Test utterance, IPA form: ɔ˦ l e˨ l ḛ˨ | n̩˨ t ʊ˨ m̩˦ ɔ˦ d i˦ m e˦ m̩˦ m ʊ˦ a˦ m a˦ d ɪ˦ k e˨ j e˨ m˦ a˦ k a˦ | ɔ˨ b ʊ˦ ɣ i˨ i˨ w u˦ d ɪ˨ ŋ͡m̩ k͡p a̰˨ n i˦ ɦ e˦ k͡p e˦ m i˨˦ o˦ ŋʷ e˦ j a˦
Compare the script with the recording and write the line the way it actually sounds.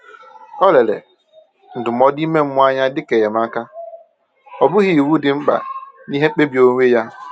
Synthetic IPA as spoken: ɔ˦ l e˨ l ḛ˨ | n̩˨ d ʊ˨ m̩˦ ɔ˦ d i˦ m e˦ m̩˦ m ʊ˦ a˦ ɲ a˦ d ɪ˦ k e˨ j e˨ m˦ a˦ k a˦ | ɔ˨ b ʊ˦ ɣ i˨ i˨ w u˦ d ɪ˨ ŋ͡m̩ k͡p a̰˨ n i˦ ɦ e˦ k͡p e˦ b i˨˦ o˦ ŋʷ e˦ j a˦

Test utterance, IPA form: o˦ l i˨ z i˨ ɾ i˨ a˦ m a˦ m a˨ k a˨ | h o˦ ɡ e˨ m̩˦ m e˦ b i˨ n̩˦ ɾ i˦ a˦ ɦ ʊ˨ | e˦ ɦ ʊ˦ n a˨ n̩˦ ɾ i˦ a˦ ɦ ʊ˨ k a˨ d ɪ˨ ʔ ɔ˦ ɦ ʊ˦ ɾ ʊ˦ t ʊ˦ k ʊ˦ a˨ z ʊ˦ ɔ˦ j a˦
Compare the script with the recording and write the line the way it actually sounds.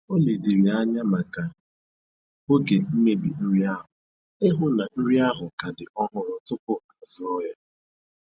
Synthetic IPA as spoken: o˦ l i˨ z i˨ ɾ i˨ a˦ ɲ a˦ m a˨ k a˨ | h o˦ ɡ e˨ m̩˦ m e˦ b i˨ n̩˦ ɾ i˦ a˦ ɦ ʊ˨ | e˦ ɦ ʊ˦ n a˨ n̩˦ ɾ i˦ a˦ ɦ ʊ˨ k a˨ d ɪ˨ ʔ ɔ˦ ɦ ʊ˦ ɾ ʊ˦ t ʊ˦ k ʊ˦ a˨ z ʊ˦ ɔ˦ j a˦

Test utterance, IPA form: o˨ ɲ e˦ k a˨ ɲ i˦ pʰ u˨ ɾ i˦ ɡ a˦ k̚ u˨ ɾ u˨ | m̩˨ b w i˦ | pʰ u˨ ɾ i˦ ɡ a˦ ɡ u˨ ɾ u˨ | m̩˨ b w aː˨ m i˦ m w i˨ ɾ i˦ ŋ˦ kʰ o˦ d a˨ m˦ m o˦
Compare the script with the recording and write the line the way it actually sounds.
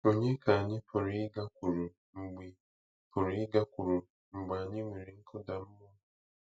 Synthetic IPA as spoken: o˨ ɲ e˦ k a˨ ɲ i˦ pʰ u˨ ɾ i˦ ɡ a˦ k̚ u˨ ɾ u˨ | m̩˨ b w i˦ | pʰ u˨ ɾ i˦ ɡ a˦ k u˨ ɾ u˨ | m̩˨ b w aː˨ ɲ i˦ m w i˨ ɾ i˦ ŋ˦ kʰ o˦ d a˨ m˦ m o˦

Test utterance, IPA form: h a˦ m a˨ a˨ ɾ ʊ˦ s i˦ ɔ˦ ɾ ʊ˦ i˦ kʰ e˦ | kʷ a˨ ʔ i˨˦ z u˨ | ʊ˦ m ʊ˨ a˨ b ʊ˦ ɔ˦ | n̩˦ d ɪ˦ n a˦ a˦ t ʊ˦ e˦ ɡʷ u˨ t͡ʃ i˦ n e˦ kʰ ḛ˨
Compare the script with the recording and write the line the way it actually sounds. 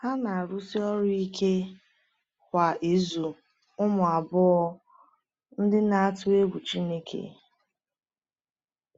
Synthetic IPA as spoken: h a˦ n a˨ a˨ ɾ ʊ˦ s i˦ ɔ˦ ɾ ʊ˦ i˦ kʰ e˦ | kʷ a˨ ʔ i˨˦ z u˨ | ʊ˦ m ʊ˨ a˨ b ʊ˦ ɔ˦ | n̩˦ d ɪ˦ n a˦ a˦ t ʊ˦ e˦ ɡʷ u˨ t͡ʃ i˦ n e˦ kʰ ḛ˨

